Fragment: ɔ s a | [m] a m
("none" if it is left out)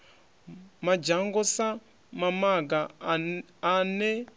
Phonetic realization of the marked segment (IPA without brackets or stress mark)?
m